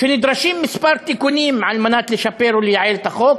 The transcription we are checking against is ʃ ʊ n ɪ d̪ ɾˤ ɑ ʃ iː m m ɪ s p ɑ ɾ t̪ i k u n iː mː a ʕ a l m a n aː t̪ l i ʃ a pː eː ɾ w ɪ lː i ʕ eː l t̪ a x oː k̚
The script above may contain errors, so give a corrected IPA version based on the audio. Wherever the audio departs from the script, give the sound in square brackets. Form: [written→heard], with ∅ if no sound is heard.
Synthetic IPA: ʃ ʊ n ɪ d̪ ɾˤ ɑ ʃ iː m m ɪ s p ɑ ɾ t̪ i k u n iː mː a ʕ a l m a n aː t̪ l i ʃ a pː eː ɾ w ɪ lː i ʕ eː l t̪ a x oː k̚